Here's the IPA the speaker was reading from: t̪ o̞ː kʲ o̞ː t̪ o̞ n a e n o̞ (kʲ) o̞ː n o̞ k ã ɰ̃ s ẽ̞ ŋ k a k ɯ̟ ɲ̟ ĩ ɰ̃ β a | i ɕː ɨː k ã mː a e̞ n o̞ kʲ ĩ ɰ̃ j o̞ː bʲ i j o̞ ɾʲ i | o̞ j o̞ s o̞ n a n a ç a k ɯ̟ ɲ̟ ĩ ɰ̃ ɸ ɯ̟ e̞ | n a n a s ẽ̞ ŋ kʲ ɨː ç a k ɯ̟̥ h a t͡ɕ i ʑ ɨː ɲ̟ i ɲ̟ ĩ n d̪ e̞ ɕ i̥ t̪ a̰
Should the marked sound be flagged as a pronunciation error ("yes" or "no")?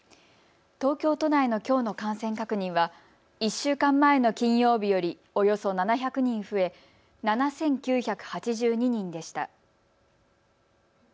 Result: no